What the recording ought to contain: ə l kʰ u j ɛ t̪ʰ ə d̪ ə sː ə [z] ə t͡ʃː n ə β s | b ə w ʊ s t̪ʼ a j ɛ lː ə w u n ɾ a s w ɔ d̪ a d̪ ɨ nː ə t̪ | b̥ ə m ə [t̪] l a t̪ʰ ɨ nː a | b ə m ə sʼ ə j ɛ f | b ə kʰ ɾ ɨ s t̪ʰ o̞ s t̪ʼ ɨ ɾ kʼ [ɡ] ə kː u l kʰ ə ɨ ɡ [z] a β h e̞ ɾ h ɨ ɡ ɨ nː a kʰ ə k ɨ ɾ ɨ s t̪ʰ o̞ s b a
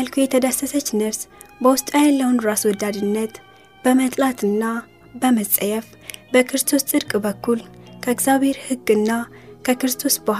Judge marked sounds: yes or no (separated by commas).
no, no, no, yes